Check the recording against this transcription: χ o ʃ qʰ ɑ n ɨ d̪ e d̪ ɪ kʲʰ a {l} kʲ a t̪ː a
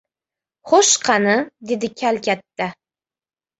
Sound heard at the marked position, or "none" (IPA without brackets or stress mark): l